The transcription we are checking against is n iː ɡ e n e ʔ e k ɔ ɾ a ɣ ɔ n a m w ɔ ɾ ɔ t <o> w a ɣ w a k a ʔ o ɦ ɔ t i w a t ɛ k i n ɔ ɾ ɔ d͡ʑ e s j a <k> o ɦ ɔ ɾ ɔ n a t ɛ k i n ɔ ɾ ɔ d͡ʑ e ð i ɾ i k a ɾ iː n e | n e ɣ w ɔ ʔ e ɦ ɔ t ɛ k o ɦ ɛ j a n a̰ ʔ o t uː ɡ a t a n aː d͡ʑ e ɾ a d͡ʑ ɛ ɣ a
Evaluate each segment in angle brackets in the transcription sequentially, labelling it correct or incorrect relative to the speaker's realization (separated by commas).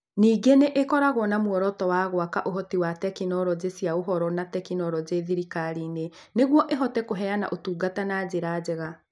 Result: incorrect, incorrect